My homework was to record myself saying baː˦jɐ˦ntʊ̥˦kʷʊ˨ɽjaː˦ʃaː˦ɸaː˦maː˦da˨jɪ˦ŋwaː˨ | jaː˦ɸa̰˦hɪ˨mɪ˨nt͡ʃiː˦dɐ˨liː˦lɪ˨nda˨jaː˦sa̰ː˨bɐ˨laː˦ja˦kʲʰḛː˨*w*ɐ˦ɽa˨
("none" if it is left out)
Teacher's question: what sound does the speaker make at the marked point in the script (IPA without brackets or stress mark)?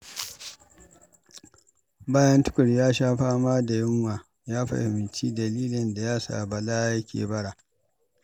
b